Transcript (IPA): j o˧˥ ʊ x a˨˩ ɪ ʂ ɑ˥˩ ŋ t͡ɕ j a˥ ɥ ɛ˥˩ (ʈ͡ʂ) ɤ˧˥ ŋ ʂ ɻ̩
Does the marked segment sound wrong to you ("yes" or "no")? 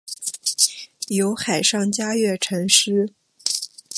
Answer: yes